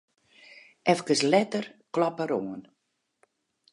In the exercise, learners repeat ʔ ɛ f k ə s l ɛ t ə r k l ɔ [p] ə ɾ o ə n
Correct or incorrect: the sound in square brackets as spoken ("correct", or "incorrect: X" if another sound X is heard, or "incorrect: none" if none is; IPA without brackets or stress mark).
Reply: correct